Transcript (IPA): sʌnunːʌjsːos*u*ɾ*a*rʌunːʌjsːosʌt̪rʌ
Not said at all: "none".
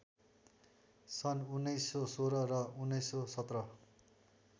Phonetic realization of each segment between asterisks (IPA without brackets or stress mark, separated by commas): o, ʌ